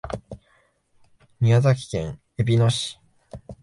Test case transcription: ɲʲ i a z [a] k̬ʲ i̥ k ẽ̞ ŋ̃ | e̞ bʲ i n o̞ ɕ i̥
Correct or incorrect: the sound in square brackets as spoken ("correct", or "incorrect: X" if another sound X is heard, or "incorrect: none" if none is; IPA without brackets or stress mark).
correct